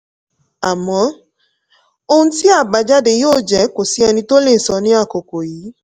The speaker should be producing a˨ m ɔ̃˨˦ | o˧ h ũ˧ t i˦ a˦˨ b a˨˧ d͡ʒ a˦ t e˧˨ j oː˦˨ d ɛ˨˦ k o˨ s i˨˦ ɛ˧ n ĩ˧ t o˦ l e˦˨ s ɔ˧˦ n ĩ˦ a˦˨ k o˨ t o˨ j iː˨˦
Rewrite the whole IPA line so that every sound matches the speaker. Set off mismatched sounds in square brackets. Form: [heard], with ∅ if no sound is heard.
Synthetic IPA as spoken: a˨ m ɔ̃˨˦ | o˧ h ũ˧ t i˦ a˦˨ b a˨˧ d͡ʒ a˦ [d] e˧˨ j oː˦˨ [d͡ʒ] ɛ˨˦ k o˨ s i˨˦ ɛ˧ n ĩ˧ t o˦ l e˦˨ s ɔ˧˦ n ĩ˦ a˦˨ k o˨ [k] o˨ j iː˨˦